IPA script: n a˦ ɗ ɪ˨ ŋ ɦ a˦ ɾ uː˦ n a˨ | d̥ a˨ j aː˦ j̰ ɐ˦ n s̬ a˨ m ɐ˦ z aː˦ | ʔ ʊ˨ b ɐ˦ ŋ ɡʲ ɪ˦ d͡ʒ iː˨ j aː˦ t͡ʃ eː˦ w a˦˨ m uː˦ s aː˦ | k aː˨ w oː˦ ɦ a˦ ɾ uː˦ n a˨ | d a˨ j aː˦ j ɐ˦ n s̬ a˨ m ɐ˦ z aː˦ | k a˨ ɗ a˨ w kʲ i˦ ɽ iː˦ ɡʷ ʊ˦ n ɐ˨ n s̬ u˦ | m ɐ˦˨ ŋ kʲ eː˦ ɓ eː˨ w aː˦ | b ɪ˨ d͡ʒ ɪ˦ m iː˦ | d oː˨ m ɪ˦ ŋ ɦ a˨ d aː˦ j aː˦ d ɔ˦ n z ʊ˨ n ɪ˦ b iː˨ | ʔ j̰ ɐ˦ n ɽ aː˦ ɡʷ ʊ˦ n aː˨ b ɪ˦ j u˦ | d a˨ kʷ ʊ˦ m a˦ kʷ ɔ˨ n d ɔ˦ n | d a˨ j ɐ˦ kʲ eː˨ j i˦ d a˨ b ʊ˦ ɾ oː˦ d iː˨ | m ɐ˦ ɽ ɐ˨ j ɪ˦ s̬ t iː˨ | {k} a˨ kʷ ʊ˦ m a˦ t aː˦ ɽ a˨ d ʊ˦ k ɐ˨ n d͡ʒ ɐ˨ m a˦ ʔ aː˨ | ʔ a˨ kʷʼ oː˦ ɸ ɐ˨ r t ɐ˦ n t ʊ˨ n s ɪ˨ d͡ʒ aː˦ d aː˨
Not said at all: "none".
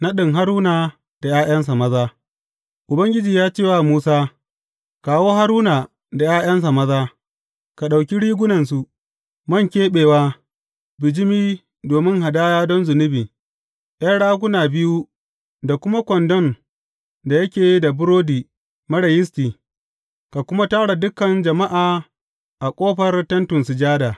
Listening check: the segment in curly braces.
k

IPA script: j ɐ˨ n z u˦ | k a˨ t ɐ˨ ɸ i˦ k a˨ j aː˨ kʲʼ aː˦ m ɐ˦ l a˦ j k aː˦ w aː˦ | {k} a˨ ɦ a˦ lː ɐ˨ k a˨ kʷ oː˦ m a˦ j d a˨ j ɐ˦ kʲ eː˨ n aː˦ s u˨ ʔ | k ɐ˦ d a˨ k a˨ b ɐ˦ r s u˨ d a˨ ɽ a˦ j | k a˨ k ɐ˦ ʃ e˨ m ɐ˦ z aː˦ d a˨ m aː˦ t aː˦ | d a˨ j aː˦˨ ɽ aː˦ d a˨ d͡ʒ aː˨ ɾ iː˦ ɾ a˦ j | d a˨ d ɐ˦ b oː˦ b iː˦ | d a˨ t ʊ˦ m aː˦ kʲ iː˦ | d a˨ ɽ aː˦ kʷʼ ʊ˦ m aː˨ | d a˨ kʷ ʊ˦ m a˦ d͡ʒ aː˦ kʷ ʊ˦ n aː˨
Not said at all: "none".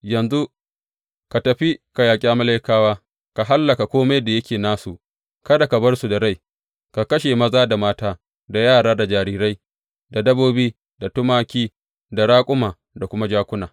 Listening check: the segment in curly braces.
k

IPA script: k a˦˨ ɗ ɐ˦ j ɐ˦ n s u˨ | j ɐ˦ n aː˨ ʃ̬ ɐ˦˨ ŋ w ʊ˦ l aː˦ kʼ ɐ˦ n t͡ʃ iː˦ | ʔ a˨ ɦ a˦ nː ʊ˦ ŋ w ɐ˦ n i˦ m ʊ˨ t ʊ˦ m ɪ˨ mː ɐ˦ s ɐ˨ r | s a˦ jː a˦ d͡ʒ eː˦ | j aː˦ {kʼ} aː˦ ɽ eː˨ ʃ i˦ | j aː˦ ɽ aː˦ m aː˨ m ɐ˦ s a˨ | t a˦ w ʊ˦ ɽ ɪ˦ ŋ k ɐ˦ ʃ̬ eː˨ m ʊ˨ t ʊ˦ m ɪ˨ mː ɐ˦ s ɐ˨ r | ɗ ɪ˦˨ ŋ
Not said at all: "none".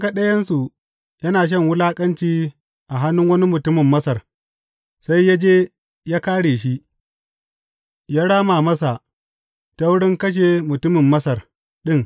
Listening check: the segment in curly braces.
k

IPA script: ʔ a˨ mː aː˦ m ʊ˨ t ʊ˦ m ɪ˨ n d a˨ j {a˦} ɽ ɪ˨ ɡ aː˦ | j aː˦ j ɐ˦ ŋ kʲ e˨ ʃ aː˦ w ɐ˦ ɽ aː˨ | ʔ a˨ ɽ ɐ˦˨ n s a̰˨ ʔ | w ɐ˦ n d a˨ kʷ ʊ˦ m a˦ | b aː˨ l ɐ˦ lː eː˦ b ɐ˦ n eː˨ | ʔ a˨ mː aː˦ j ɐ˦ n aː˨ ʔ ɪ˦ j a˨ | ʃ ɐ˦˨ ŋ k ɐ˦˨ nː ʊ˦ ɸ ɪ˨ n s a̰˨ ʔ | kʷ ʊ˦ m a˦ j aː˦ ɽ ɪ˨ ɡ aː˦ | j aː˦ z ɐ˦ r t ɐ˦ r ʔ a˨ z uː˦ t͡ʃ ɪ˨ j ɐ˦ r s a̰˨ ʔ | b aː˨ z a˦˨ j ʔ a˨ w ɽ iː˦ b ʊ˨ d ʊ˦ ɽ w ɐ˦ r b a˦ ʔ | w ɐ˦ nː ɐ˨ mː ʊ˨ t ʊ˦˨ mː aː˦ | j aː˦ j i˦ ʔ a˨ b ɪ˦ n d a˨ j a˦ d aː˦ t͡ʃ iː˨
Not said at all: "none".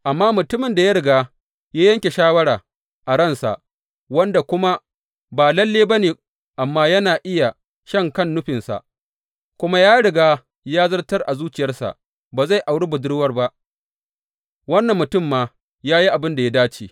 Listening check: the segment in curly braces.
a˦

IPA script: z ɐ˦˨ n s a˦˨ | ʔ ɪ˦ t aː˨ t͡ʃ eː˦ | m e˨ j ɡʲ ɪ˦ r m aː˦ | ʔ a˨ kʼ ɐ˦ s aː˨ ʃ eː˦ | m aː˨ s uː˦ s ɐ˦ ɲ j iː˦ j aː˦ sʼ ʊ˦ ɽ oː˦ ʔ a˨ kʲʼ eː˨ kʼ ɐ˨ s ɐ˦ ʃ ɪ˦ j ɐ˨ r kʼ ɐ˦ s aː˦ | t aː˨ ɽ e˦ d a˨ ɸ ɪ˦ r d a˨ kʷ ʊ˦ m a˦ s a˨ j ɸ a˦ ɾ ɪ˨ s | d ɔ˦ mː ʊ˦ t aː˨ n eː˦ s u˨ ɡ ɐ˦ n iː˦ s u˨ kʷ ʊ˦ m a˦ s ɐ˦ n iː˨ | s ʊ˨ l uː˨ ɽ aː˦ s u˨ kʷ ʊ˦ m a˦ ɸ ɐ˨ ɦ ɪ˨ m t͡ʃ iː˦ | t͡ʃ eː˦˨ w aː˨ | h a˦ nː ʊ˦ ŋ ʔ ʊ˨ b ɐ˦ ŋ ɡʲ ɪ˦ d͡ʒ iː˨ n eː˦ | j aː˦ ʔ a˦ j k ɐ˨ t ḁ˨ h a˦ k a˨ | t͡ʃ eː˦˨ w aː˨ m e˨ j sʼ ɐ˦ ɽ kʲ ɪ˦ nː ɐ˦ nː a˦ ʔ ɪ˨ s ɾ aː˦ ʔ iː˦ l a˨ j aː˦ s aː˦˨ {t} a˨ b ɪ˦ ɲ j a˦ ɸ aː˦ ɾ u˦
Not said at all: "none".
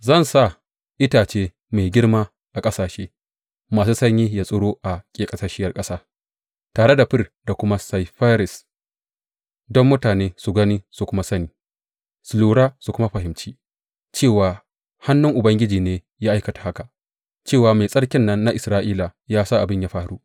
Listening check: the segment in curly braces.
ʔ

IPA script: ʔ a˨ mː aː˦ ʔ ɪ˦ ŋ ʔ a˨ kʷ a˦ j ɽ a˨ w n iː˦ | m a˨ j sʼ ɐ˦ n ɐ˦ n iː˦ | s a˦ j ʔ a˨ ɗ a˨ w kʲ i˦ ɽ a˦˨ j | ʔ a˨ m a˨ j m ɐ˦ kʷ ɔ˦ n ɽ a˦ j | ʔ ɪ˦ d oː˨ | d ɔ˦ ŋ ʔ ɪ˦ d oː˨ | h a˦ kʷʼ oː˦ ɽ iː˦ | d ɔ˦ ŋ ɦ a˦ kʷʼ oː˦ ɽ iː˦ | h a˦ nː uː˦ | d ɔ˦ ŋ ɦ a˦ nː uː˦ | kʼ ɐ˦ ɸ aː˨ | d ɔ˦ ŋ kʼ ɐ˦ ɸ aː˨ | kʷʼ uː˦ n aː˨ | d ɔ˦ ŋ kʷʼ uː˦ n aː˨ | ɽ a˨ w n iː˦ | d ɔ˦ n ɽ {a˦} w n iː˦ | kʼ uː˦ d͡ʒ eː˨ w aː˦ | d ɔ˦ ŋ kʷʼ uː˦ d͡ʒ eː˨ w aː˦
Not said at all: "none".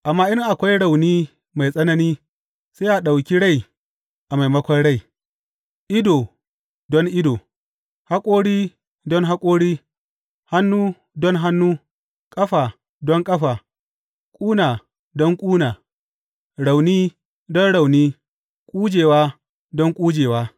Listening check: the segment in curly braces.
a˨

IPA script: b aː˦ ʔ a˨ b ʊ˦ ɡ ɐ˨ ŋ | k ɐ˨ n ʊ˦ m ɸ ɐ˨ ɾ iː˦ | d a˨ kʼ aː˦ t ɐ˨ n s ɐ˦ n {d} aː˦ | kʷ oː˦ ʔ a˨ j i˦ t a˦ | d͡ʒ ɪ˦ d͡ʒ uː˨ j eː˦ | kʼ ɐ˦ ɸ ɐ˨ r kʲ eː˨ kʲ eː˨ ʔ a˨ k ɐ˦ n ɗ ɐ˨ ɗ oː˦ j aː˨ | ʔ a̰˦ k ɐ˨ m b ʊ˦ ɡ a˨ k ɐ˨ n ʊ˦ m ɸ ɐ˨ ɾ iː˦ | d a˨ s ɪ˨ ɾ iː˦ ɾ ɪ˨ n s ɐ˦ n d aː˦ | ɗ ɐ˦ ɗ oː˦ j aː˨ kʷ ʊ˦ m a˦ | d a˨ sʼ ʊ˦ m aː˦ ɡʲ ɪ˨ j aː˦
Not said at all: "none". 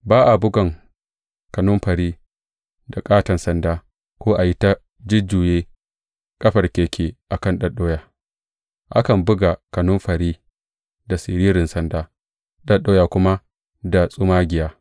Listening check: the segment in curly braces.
d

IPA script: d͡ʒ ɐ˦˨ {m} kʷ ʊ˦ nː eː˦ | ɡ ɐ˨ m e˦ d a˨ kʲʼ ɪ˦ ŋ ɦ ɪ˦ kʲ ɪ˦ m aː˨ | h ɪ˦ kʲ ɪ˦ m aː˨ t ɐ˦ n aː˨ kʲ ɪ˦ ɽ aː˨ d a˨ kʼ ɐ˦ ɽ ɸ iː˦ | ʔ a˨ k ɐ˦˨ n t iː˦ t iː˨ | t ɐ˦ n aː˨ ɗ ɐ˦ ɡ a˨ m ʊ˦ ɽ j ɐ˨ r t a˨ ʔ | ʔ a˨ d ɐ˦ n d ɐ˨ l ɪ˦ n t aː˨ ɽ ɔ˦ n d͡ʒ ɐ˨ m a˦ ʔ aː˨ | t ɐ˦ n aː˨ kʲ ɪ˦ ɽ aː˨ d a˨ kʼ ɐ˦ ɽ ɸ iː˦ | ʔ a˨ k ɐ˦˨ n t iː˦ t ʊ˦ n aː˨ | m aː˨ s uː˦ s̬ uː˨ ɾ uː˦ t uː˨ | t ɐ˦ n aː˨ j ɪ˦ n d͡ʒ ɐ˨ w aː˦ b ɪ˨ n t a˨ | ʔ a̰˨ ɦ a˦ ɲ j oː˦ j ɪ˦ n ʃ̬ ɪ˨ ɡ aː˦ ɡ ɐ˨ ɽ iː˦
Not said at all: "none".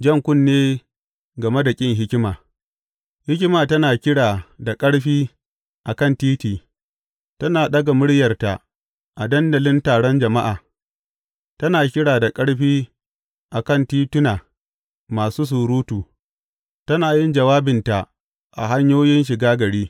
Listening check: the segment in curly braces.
ŋ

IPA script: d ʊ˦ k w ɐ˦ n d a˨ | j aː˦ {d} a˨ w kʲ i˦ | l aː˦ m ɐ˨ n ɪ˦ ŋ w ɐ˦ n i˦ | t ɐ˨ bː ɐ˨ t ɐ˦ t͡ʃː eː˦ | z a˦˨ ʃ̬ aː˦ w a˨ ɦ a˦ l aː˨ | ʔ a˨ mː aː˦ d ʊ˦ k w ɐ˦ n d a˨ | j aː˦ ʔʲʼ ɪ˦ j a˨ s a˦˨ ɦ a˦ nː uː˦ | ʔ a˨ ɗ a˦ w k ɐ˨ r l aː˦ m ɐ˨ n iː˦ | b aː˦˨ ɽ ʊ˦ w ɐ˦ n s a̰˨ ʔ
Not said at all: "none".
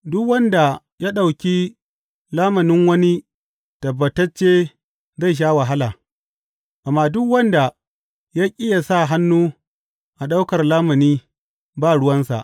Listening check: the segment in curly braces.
ɗ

